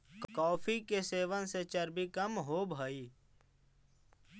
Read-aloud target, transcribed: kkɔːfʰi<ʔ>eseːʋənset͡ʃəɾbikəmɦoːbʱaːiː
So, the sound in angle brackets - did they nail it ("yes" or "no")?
no